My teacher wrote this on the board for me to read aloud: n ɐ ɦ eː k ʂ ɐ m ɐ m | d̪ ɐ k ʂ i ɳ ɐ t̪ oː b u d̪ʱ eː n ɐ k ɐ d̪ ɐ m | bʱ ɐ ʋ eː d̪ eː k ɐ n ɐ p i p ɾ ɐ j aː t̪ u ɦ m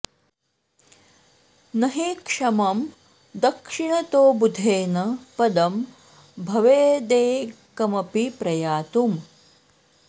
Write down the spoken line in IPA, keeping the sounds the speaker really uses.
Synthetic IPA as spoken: n ɐ ɦ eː k ʂ ɐ m ɐ m | d̪ ɐ k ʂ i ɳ ɐ t̪ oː b u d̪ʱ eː n ɐ p ɐ d̪ ɐ m | bʱ ɐ ʋ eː d̪ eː k ɐ m ɐ p i p ɾ ɐ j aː t̪ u m